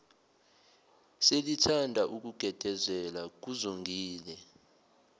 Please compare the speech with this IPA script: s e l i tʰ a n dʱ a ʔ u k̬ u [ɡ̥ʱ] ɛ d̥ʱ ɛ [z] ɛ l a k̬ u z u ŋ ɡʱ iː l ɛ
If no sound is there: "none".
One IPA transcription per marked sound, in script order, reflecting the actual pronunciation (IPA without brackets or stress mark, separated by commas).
ɡ̥ʱ, z